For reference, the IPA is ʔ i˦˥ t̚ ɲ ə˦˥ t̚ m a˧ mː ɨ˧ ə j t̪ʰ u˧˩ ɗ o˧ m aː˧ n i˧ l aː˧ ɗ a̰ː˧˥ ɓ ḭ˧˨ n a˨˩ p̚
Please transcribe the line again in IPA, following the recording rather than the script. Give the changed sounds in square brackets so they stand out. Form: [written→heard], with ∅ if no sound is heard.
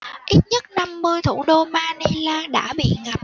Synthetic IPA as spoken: ʔ i˦˥ t̚ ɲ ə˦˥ t̚ [m→n] a˧ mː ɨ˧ ə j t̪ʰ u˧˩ ɗ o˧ m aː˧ n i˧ l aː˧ ɗ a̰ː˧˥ ɓ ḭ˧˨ [n→ŋ] a˨˩ p̚